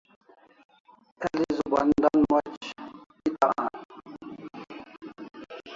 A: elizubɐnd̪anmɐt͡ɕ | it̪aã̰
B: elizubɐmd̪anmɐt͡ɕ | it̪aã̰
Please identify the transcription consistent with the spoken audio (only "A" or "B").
A